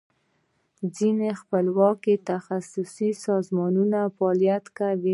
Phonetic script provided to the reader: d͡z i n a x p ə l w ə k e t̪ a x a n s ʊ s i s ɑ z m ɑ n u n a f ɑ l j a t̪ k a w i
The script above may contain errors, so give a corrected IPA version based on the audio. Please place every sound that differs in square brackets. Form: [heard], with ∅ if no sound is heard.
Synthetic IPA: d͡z i n [e] x p ə l w [ɑ] k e t̪ a x a [∅] s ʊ s i s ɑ z m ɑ n u n a f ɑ l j a t̪ k a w i